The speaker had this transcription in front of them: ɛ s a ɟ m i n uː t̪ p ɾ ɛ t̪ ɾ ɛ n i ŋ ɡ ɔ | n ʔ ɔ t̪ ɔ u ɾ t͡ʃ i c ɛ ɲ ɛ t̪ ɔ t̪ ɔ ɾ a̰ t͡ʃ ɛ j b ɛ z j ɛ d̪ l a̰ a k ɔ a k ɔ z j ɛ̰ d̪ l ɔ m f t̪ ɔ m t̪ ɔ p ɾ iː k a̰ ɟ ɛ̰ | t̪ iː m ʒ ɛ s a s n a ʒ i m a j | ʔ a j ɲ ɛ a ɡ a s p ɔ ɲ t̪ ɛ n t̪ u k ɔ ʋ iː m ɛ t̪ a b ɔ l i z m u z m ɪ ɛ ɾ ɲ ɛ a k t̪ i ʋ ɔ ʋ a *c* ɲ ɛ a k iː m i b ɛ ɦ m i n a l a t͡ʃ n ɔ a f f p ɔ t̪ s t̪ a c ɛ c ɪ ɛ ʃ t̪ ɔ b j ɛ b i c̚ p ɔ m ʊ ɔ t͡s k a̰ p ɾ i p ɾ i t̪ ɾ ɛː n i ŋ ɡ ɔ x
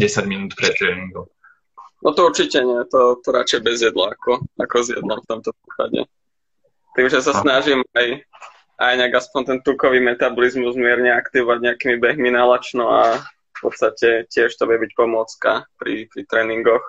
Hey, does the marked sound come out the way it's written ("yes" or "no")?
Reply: no